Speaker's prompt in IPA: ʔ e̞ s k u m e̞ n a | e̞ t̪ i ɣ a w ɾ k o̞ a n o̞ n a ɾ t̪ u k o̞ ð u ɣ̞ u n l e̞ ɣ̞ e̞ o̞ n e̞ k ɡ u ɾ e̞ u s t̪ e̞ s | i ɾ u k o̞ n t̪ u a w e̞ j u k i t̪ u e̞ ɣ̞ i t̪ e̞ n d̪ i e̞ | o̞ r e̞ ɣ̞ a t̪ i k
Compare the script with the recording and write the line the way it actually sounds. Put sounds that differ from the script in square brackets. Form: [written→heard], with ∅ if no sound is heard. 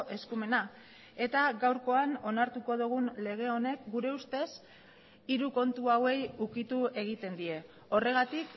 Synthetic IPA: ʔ e̞ s k u m e̞ n a | e̞ t̪ [i→a] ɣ a w ɾ k o̞ a n o̞ n a ɾ t̪ u k o̞ ð u ɣ̞ u n l e̞ ɣ̞ e̞ o̞ n e̞ k ɡ u ɾ e̞ u s t̪ e̞ s | i ɾ u k o̞ n t̪ u a w e̞ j u k i t̪ u e̞ ɣ̞ i t̪ e̞ n d̪ i e̞ | o̞ r e̞ ɣ̞ a t̪ i k